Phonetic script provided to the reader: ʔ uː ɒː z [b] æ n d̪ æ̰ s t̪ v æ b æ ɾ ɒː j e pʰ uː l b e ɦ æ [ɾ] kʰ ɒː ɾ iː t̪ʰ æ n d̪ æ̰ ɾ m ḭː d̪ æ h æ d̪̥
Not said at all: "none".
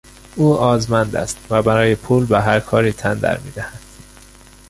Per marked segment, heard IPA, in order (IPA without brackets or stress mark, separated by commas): m, ɾ